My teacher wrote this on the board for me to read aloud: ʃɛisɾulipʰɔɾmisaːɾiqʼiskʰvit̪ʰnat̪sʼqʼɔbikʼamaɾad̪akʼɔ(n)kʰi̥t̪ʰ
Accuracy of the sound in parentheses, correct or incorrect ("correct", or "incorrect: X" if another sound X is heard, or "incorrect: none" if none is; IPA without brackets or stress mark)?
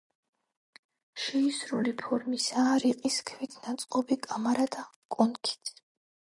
correct